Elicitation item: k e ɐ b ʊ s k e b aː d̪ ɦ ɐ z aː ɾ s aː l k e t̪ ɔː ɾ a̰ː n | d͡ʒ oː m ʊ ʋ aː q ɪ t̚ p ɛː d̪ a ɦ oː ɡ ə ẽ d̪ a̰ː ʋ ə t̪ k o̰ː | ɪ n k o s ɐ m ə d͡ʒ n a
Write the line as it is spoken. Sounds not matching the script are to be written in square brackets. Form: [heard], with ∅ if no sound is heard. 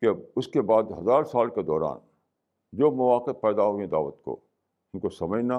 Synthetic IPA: k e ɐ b ʊ s k e b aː d̪ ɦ ɐ z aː ɾ s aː l k e [d̪] ɔː ɾ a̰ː n | d͡ʒ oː m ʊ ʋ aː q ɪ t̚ p ɛː d̪ a ɦ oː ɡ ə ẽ d̪ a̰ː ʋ ə t̪ k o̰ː | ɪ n k o s ɐ m ə d͡ʒ n a